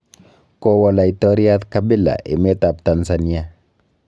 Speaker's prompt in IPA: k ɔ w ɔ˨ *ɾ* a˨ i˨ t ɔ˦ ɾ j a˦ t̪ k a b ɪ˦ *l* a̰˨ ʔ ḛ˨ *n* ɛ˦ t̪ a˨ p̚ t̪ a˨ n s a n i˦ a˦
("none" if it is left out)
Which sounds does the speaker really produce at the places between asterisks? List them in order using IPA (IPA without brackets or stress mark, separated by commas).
l, l, m